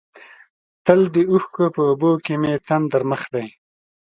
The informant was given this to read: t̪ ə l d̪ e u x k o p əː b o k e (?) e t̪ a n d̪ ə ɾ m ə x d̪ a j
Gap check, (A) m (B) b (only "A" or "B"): A